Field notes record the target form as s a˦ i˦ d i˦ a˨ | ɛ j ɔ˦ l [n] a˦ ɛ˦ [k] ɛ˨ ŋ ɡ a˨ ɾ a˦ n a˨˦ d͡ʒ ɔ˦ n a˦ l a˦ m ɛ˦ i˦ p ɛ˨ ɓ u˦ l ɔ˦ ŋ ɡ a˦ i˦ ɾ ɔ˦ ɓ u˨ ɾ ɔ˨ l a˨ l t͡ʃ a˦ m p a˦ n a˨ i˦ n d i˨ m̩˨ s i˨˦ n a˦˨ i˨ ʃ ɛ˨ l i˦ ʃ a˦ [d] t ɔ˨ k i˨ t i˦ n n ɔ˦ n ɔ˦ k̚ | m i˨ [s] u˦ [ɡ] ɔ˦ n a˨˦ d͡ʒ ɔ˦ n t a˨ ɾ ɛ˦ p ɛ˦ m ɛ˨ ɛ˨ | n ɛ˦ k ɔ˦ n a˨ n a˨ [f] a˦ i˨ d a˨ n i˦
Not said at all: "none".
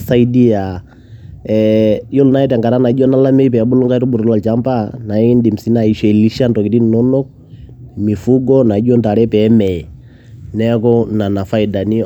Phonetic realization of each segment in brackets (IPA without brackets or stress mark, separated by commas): n, t, n, f, ɡ, f